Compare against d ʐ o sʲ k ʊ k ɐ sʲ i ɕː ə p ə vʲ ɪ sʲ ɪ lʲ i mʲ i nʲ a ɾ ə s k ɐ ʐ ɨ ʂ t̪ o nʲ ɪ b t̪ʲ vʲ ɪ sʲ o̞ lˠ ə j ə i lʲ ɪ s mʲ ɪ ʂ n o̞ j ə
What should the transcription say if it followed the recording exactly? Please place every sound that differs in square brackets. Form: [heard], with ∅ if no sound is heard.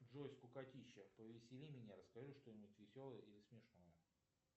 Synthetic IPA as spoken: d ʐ o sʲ k ʊ k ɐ [tʲ] i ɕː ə p ə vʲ ɪ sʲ ɪ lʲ i mʲ [ɪ] nʲ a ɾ ə s k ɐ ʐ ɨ ʂ t̪ o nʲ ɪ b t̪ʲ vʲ ɪ sʲ o̞ lˠ ə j ə i lʲ ɪ s mʲ ɪ ʂ n o̞ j ə